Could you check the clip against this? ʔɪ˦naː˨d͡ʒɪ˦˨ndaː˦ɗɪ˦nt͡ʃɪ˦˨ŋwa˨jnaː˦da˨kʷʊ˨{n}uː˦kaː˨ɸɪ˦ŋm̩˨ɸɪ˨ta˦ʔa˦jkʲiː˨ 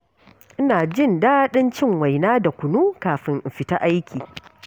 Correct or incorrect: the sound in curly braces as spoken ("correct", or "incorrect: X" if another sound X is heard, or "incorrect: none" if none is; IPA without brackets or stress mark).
correct